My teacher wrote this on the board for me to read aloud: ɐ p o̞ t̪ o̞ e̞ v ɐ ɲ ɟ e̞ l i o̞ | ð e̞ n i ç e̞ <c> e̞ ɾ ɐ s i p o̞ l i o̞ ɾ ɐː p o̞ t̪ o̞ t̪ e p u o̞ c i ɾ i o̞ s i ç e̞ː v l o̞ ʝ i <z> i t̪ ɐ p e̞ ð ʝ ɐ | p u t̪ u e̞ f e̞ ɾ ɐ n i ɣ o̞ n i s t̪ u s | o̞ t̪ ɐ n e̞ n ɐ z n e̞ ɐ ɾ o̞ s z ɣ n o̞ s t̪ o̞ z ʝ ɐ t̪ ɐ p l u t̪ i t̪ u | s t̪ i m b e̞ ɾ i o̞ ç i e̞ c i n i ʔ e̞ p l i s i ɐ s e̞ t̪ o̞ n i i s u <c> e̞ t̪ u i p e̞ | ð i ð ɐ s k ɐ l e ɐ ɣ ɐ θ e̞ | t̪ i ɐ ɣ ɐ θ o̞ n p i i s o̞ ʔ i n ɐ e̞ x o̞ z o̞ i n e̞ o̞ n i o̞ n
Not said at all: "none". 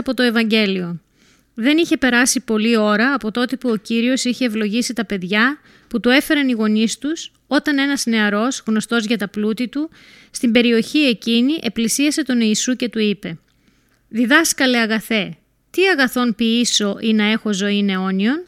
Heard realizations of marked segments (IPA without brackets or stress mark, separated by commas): p, s, c